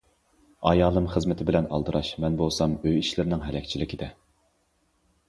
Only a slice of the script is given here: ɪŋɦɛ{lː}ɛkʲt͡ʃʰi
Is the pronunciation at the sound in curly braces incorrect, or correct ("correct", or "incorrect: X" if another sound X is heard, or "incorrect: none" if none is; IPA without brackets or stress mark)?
incorrect: l